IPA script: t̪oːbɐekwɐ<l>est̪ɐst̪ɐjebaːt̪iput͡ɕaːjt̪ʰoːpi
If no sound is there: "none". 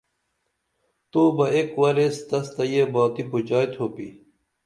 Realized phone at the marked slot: ɾ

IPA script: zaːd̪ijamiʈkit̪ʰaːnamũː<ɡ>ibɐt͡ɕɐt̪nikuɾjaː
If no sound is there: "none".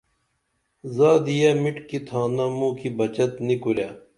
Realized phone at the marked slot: k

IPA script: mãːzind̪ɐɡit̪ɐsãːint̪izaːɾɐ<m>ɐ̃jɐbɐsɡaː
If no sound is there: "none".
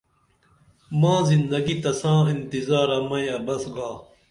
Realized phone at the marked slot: m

